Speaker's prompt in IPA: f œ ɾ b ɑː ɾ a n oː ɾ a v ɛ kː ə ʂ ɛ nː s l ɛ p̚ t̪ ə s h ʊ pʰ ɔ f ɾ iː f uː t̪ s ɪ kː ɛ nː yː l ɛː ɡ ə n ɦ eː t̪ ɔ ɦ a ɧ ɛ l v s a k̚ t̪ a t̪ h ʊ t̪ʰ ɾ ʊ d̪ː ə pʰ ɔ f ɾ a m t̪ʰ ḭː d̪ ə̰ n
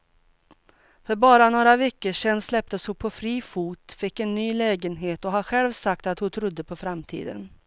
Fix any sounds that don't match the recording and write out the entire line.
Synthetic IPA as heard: f œ ɾ b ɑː ɾ a n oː ɾ a v ɛ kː ə ʂ ɛ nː s l ɛ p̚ t̪ ə s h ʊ pʰ ɔ f ɾ iː f uː t̪ f ɪ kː ɛ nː yː l ɛː ɡ ə n ɦ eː t̪ ɔ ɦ a ɧ ɛ l v s a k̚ t̪ a t̪ h ʊ t̪ʰ ɾ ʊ d̪ː ə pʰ ɔ f ɾ a m t̪ʰ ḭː d̪ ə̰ n